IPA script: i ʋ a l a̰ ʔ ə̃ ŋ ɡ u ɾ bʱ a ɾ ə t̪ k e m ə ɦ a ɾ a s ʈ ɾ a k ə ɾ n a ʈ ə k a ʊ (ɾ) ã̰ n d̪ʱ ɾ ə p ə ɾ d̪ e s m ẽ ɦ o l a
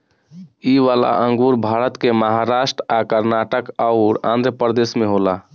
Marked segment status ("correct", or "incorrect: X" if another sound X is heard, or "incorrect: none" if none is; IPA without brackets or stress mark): correct